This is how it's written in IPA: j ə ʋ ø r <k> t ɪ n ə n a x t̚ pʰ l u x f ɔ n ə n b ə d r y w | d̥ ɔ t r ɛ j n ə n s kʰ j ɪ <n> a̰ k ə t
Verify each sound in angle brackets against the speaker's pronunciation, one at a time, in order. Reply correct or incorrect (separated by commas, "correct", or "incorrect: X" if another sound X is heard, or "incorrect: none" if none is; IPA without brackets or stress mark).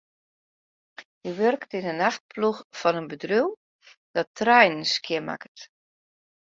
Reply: correct, incorrect: m